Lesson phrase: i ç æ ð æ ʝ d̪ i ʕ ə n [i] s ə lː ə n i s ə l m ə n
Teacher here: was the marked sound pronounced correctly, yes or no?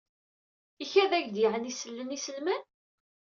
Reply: yes